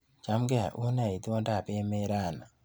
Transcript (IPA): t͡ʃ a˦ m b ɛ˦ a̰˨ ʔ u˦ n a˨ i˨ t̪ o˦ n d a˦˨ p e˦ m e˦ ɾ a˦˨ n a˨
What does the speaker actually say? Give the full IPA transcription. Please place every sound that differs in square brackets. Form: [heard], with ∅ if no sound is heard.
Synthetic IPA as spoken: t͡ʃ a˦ m [ɡ] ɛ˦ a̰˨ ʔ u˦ n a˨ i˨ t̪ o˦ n d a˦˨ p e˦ m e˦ ɾ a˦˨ n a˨